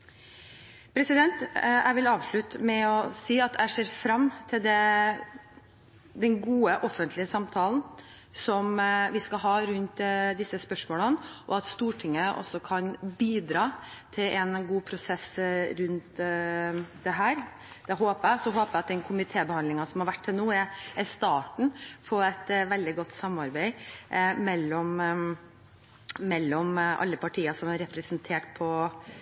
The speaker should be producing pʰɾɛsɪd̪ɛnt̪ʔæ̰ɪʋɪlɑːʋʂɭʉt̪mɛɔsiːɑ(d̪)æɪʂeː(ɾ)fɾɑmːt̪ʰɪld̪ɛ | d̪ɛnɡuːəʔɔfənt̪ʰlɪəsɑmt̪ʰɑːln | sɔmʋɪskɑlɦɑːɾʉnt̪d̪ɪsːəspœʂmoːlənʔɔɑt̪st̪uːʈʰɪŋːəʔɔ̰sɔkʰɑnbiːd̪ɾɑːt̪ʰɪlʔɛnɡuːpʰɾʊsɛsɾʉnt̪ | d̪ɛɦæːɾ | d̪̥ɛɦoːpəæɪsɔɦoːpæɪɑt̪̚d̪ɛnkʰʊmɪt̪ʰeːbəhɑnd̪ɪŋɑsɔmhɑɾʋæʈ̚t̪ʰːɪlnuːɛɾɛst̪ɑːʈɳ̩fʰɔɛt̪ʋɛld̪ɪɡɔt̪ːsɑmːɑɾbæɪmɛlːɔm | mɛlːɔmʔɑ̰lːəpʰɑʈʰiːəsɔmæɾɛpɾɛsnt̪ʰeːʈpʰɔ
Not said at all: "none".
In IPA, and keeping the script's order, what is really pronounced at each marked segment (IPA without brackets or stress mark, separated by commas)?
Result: t̪, ɾ